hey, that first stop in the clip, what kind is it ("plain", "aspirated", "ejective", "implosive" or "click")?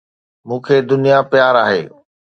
aspirated